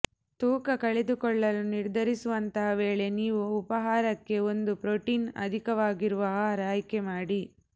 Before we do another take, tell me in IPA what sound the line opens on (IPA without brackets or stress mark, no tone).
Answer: t̪